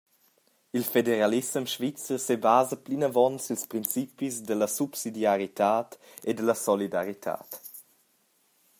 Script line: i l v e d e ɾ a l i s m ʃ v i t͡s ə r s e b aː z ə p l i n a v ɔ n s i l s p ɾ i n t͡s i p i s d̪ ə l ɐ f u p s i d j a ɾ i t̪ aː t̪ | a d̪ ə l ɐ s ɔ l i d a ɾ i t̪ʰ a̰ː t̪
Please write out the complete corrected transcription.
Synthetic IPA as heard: i l f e d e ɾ a l i s m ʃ v i t͡s ə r s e b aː z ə p l i n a v ɔ n s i l s p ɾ i n t͡s i p i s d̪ ə l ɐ s u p s i d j a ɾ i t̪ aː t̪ | e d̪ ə l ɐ s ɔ l i d a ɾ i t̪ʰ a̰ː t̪